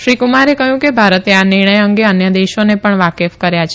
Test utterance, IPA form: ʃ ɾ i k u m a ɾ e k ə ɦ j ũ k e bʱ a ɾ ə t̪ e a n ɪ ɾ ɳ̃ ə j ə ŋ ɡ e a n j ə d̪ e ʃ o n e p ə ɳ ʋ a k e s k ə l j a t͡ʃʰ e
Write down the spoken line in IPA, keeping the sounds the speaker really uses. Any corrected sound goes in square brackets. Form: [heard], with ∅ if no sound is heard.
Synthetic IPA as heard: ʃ ɾ i k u m a ɾ e k ə ɦ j ũ k e bʱ a ɾ ə t̪ e a n ɪ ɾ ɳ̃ ə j ə ŋ ɡ e [ə] n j ə d̪ e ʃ o n e p ə ɳ ʋ a k e [f] k ə [ɾ] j a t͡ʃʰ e